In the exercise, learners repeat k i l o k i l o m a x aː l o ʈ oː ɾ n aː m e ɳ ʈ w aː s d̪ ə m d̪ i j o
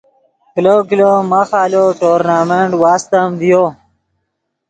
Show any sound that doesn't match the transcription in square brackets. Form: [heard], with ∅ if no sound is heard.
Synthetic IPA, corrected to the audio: k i l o k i l o m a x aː l o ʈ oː ɾ n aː m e ɳ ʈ w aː s [t̪] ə m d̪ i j o